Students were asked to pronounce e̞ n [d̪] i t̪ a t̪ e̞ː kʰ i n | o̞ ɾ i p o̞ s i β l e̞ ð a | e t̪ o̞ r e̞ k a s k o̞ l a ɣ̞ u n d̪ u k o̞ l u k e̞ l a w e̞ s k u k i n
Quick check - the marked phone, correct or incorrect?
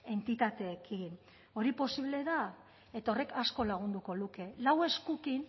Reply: incorrect